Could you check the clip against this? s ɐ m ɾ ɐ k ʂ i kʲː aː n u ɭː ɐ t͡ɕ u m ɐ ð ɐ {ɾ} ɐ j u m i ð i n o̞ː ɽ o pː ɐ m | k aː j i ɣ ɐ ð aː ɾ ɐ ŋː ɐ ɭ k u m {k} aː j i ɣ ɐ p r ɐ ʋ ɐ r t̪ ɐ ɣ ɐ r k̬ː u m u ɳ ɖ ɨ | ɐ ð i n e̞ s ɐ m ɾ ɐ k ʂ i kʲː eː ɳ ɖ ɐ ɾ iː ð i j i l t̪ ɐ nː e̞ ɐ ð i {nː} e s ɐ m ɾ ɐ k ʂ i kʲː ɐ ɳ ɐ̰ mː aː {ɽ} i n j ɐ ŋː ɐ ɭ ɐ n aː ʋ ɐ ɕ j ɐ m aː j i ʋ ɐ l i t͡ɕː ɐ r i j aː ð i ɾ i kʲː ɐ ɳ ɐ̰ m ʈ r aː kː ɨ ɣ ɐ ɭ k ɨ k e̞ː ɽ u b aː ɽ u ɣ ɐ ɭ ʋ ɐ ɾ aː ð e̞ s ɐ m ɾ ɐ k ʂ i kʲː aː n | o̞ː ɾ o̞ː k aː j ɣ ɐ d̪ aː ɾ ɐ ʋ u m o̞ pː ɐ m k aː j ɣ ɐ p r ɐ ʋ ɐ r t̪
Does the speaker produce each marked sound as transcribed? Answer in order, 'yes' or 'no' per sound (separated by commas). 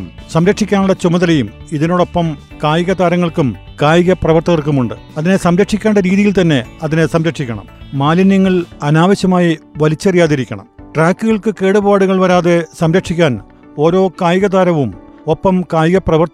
no, yes, no, no